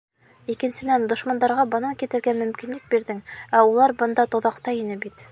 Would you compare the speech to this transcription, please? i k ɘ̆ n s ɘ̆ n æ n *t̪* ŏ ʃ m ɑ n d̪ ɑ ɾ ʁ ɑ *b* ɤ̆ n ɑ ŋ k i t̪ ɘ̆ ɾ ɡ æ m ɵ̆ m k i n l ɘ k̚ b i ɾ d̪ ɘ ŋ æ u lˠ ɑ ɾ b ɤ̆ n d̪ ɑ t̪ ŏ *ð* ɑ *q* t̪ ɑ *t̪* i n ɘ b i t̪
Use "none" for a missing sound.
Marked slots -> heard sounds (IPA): d̪, b, ð, q, none

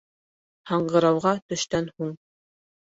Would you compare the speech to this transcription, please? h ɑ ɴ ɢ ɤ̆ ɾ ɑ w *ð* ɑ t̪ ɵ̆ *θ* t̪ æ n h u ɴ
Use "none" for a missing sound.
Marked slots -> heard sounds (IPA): ʁ, ʃ

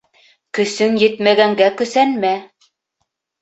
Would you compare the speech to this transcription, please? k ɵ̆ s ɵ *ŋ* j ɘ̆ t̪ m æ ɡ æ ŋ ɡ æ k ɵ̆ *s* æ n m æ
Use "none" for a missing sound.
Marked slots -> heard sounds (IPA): ŋ, s

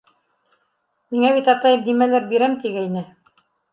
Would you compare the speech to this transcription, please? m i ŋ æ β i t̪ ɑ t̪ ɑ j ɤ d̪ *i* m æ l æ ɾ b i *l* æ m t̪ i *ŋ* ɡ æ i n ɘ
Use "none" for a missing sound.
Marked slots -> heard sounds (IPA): i, ɾ, none

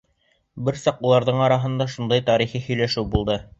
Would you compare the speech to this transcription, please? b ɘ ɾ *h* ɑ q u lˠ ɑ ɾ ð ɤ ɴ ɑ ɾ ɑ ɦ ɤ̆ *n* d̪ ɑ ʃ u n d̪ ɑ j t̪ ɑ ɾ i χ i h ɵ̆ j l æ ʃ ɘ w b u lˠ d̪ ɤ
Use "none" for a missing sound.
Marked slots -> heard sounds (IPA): s, n

